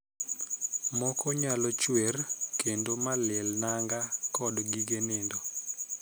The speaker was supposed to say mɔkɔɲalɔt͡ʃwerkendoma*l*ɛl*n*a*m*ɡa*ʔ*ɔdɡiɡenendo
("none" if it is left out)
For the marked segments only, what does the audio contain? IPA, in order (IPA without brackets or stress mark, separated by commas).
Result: l, n, ŋ, k